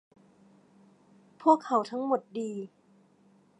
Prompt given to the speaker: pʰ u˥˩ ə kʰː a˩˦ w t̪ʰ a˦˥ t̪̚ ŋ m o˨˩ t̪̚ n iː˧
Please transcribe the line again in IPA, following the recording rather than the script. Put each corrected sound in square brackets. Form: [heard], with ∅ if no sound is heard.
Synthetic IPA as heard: pʰ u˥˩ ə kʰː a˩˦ w t̪ʰ a˦˥ [∅] ŋ m o˨˩ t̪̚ [d] iː˧